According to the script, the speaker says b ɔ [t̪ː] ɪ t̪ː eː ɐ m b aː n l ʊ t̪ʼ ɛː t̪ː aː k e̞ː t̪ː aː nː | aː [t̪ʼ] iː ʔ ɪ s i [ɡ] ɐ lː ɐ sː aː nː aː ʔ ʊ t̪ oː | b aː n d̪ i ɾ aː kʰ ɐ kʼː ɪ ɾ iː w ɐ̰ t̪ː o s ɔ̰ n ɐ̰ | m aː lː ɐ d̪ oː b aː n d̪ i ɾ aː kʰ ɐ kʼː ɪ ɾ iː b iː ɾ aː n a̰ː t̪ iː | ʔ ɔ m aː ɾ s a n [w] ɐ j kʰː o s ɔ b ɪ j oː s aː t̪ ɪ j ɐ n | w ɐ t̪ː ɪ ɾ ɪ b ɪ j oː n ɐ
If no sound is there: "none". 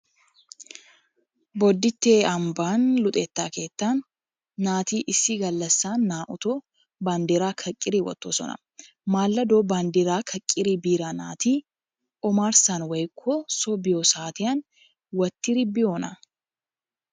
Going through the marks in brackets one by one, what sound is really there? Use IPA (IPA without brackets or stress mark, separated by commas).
d̪ː, t̪, ɡ, w